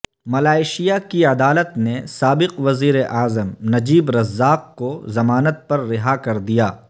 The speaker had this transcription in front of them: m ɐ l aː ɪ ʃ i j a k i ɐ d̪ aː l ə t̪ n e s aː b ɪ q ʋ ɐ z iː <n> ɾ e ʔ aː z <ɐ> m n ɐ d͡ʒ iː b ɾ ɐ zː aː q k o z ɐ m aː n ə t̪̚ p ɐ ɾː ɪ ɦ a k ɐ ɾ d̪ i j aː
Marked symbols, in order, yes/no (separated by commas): no, no